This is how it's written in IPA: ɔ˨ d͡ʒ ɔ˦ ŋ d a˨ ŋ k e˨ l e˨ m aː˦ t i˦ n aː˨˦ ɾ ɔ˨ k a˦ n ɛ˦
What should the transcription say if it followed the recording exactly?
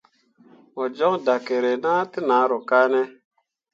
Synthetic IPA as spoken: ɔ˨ d͡ʒ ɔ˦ ŋ d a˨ k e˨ ɾ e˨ n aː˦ t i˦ n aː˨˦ ɾ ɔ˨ k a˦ n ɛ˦